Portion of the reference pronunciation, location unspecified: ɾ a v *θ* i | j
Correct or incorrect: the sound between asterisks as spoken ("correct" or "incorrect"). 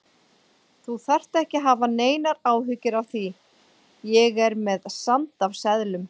correct